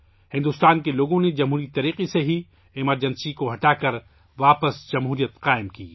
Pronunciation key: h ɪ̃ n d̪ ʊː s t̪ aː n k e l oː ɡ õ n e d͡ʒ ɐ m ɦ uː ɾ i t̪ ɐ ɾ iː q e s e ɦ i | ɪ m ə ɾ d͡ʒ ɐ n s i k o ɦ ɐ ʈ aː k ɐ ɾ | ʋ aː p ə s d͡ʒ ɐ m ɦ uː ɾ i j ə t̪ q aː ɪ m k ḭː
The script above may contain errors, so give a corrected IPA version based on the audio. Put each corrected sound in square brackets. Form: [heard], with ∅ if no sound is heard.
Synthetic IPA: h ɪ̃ n d̪ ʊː s t̪ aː n k e l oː ɡ õ n e d͡ʒ ɐ m ɦ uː ɾ i t̪ ɐ ɾ iː q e s e ɦ i | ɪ m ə ɾ d͡ʒ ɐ n s i k o ɦ ɐ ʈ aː k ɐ ɾ | ʋ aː p ə s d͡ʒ ɐ m ɦ uː ɾ i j ə t̪ q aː ɪ m k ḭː